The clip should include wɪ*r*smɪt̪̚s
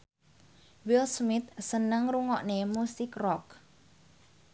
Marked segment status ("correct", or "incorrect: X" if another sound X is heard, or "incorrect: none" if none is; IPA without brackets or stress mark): incorrect: l